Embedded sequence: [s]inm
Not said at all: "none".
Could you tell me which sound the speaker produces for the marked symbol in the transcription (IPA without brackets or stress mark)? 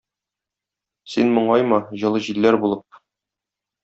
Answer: s